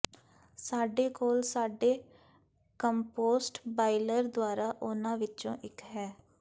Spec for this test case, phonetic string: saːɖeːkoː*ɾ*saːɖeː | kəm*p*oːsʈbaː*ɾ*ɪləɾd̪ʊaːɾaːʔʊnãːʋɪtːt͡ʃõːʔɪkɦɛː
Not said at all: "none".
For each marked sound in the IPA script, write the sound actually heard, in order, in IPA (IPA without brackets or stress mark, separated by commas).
l, p, none